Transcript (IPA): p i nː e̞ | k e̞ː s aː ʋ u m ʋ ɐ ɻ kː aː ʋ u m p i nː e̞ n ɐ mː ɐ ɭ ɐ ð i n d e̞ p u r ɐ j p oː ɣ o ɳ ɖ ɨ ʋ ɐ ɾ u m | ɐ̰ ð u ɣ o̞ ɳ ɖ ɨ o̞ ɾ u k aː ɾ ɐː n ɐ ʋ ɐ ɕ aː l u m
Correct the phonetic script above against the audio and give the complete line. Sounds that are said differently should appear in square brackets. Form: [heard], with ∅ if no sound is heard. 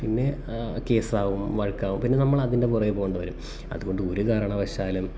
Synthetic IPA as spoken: p i nː e̞ | k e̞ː s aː ʋ u m ʋ ɐ ɻ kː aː ʋ u m p i nː e̞ n ɐ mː ɐ ɭ ɐ ð i n d e̞ p u r ɐ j p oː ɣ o ɳ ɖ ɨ ʋ ɐ ɾ u m | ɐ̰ ð u ɣ o̞ ɳ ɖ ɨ o̞ ɾ u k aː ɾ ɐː [ɳ] ɐ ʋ ɐ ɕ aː l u m